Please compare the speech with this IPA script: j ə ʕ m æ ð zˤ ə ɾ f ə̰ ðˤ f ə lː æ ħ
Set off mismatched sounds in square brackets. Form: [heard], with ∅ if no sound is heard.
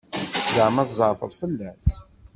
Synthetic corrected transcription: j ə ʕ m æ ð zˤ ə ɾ f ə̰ ðˤ f ə lː æ [s]

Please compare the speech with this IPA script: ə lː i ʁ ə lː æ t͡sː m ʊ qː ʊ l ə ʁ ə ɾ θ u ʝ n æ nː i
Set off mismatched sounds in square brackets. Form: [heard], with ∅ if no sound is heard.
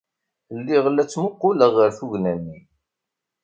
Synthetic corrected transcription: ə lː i ʁ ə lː æ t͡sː m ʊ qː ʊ l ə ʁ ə ɾ θ u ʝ n æ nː i

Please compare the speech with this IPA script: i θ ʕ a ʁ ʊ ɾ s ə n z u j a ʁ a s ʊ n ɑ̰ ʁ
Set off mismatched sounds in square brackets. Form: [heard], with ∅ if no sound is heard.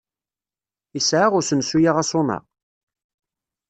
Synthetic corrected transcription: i [s] ʕ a ʁ ʊ ɾ s ə n [s] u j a ʁ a s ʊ n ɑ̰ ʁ

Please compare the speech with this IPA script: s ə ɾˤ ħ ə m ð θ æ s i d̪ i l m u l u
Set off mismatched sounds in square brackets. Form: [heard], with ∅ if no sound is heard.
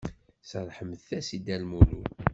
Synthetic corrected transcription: s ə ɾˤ ħ ə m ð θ æ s i d̪ [æ] l m u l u

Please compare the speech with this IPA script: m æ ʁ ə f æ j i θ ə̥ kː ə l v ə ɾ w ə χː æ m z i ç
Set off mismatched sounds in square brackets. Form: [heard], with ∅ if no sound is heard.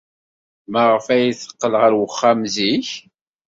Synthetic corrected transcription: m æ ʁ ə f æ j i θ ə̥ [qː] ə l [ʁ] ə ɾ w ə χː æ m z i ç

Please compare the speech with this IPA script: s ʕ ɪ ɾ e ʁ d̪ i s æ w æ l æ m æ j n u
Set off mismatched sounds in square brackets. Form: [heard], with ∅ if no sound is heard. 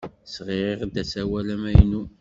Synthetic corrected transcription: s [ʁ] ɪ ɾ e ʁ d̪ [æ] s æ w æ l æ m æ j n u

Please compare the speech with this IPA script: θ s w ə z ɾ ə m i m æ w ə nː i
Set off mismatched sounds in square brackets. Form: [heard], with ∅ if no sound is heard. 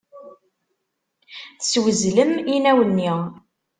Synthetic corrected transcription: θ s w ə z [l] ə m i [n] æ w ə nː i

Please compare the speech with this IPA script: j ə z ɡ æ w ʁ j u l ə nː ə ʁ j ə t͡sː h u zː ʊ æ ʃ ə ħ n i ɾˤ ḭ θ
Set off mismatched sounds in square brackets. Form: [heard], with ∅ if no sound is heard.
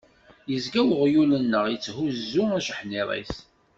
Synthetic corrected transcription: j ə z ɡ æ w ʁ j u l ə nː ə ʁ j ə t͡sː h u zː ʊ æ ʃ ə ħ n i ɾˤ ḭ θ

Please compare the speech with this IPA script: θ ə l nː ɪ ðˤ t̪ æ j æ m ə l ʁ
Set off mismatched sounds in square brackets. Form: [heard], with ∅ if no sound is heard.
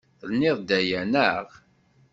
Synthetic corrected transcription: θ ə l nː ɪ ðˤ [d̪] æ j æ [n] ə [∅] ʁ

